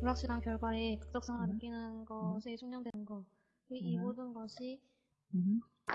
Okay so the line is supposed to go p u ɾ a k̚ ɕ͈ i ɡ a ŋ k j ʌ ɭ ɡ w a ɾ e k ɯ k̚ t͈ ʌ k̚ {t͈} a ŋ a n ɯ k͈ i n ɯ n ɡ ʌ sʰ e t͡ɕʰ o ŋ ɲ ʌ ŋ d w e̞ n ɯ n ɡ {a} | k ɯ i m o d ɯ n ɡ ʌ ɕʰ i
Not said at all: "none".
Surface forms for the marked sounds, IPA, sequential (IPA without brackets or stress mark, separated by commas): s͈, ʌ